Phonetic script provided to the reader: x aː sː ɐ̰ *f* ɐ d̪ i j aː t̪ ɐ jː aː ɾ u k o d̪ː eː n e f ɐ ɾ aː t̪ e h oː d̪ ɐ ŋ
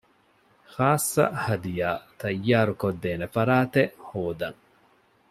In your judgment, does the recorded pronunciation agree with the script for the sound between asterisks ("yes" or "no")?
no